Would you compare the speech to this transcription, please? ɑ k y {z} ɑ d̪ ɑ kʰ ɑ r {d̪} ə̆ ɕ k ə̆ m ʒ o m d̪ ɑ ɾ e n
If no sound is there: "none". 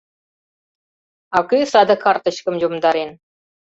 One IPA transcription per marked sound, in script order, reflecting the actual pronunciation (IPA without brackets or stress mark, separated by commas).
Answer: s, t̪